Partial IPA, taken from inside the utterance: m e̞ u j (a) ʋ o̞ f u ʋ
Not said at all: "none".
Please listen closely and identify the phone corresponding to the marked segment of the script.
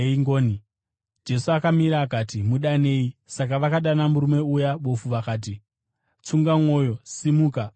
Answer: a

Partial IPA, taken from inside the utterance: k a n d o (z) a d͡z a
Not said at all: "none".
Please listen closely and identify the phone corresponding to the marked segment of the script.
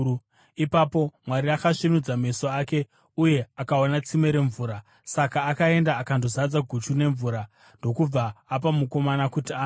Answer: z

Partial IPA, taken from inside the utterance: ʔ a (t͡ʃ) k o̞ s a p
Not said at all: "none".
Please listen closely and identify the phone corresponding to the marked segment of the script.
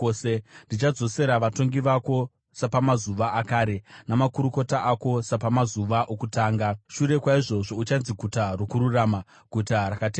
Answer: none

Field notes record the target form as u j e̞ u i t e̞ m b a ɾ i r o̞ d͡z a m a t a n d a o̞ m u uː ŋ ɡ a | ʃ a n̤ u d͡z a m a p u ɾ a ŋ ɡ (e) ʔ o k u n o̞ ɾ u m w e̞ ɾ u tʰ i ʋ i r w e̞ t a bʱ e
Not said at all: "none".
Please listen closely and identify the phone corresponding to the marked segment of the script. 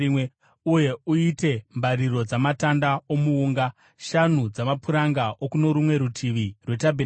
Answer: a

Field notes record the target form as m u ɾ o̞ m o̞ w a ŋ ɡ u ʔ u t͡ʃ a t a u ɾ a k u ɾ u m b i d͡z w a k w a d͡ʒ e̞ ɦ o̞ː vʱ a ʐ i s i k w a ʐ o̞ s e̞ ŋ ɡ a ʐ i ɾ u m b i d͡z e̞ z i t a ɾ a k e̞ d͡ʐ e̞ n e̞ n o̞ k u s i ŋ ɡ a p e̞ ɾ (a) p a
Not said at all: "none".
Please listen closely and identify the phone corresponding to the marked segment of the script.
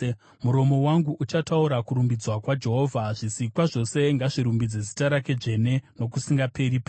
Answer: i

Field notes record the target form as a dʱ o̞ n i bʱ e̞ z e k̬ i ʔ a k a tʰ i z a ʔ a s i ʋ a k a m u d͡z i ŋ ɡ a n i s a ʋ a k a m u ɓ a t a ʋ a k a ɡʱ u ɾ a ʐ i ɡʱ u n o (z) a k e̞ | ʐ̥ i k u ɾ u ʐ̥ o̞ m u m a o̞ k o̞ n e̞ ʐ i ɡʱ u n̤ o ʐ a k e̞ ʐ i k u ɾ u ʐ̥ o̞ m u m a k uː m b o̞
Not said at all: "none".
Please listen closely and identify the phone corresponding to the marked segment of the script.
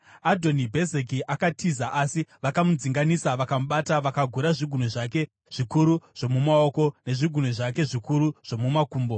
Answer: ʐ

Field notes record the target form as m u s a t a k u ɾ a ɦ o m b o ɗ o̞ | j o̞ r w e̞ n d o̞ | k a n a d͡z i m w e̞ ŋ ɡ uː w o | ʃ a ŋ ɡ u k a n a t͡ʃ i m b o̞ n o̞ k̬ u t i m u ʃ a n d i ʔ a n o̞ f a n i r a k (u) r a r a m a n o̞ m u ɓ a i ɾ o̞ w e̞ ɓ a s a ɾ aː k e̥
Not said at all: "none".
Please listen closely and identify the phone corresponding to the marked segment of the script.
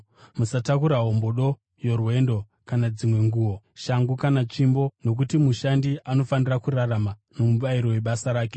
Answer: u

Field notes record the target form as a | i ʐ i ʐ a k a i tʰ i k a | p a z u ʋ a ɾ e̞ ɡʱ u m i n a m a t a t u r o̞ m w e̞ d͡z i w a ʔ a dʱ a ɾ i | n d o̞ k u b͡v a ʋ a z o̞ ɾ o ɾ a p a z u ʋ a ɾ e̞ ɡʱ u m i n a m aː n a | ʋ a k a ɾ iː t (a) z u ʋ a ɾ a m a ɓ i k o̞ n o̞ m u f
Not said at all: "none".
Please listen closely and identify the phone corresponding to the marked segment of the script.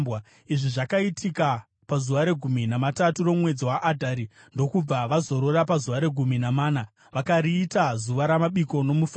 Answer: a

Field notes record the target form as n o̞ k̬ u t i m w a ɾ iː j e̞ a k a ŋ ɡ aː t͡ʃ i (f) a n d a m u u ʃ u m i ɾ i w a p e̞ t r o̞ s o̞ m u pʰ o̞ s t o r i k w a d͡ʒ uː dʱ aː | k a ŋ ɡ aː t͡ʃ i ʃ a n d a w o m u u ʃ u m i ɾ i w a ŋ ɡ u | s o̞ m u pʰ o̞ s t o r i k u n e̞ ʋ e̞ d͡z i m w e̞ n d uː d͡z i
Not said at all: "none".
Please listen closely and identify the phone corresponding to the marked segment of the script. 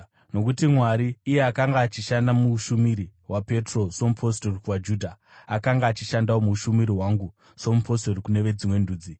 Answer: ʃ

